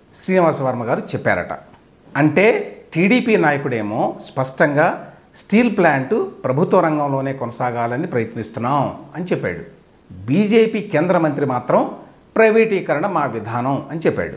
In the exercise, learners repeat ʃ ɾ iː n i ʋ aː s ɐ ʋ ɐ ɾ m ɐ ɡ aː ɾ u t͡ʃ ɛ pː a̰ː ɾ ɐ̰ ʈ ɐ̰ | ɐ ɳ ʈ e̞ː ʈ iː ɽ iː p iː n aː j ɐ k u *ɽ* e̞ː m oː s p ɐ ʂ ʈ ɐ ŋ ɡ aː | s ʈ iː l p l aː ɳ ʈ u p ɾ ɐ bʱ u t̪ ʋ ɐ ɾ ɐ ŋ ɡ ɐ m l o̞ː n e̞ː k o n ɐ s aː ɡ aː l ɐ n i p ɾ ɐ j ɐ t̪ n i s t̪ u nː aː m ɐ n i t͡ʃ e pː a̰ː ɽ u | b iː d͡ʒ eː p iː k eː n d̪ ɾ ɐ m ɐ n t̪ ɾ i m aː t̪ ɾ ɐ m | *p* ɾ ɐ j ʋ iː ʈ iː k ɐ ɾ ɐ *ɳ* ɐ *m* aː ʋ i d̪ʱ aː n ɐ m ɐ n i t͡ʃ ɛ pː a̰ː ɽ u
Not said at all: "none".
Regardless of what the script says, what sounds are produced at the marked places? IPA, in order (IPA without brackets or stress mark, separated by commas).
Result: ɽ, p, ɳ, m